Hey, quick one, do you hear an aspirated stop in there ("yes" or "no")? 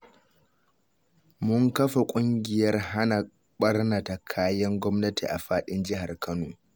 yes